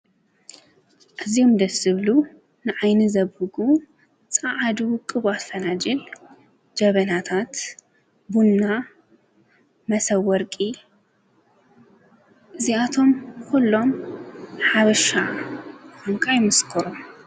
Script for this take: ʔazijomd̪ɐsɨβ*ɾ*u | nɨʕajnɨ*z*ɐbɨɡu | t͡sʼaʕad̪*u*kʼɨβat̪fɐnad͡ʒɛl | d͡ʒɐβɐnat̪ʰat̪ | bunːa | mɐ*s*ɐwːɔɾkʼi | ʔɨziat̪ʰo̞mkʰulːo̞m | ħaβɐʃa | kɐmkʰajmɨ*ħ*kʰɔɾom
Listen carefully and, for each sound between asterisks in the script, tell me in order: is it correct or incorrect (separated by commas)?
incorrect, correct, correct, correct, incorrect